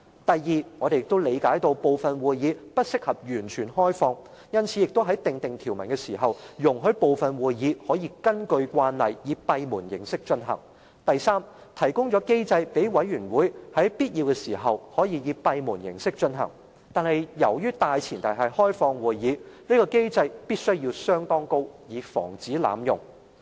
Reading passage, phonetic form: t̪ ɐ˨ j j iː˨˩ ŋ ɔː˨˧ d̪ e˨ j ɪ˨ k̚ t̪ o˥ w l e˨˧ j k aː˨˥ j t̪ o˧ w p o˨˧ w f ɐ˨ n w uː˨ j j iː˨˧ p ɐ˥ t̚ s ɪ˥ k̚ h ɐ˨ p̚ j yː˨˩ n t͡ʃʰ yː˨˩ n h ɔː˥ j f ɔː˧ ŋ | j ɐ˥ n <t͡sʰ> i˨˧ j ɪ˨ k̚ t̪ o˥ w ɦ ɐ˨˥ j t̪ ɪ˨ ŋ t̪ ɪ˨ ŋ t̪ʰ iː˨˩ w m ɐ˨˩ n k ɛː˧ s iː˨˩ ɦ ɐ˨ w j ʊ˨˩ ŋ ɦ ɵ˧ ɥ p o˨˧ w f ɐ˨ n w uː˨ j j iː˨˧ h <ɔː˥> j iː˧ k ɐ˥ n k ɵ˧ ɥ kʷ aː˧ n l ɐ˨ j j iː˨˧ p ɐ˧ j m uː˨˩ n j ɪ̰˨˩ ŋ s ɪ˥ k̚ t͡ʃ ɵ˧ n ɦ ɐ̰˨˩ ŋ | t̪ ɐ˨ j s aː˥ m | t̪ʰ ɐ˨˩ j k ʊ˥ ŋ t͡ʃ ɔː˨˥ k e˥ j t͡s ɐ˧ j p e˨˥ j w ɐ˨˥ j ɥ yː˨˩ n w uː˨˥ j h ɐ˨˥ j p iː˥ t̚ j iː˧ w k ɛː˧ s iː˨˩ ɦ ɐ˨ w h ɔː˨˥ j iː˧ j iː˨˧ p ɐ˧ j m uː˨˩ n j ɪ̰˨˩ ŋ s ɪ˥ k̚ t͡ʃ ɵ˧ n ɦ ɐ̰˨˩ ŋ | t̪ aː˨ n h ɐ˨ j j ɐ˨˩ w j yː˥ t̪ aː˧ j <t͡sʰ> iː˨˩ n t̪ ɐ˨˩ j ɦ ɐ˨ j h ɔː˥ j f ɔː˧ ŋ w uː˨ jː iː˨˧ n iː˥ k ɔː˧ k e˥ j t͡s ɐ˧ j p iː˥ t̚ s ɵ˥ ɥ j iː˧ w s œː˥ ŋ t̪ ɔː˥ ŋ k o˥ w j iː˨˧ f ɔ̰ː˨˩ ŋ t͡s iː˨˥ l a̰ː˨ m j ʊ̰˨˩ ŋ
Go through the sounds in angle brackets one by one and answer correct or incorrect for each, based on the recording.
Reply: correct, incorrect, correct

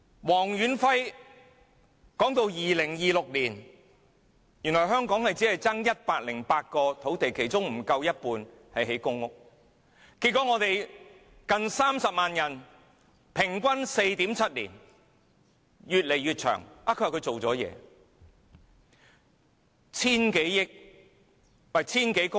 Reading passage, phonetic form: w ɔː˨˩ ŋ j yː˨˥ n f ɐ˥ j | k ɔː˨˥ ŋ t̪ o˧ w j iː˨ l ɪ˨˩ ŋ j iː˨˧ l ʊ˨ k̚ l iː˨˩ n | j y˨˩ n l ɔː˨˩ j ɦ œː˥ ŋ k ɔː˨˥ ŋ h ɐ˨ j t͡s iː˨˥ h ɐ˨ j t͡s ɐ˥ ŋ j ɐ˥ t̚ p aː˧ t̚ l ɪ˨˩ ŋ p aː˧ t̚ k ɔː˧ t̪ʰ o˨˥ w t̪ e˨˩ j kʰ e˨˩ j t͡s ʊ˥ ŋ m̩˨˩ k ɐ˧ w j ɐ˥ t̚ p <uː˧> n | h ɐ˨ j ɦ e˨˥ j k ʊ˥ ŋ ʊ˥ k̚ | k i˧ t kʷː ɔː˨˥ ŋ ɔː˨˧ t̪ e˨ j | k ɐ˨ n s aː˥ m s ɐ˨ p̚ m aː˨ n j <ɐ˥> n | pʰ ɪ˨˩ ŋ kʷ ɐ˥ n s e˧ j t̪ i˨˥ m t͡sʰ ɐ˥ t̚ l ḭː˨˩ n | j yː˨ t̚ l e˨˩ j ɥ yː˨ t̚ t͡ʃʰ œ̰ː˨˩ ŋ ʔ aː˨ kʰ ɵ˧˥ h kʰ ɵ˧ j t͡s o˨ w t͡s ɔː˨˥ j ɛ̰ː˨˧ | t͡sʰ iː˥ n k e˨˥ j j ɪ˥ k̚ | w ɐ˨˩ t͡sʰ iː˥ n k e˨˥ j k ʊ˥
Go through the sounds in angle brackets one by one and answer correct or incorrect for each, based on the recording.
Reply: correct, incorrect

